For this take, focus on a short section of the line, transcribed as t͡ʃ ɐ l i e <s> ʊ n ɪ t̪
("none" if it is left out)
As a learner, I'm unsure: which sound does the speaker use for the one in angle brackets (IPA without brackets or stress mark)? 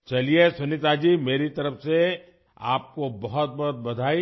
s